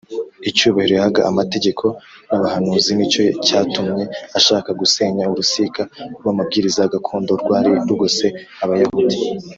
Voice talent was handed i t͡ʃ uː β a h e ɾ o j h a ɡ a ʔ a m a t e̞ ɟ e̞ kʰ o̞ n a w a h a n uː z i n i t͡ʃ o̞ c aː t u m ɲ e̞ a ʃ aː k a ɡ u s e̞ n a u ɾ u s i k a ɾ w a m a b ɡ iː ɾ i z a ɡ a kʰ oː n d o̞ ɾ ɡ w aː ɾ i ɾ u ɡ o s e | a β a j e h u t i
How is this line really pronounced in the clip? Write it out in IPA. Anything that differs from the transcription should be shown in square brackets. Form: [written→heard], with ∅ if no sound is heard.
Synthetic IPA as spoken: i t͡ʃ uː β a h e ɾ o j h a ɡ a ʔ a m a t e̞ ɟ e̞ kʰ o̞ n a [w→β] a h a n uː z i n i t͡ʃ o̞ c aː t u m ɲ e̞ a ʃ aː k a ɡ u s e̞ [n→ɲ] a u ɾ u s i k a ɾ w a m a b ɡ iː ɾ i z a ɡ a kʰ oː n d o̞ ɾ ɡ w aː ɾ i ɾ u ɡ o s e | a β a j [e→a] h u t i